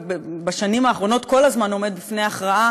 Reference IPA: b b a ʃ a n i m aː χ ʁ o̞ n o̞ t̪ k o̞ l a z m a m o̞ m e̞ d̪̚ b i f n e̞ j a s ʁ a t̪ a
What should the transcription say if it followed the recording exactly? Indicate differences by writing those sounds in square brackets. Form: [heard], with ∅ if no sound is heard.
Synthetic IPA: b b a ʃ a n i m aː χ ʁ o̞ n o̞ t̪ k o̞ l a z m a [n] o̞ m e̞ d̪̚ b i f n e̞ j a [χ] ʁ a [∅] a